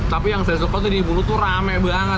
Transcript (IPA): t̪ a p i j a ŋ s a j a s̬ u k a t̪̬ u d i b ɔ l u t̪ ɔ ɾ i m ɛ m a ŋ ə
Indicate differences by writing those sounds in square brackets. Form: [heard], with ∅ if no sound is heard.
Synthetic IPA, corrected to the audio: t̪ a p i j a ŋ s a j a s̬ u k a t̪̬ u d i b [u] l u t̪ [u] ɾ [a] m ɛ [b] a ŋ ə